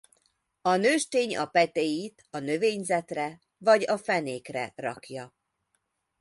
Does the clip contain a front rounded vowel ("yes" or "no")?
yes